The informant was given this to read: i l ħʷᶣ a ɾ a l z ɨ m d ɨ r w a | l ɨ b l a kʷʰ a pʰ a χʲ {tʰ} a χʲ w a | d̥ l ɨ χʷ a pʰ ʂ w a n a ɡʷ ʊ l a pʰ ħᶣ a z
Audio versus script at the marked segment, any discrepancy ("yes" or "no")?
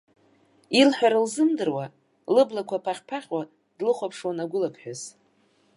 yes